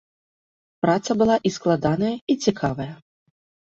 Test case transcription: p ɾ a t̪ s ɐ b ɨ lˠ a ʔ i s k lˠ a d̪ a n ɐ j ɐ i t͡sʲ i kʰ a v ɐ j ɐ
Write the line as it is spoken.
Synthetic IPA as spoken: p ɾ a t̪ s ɐ b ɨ lˠ a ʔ i s k lˠ a d̪ a n ɐ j ɐ i t͡sʲ i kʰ a v ɐ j ɐ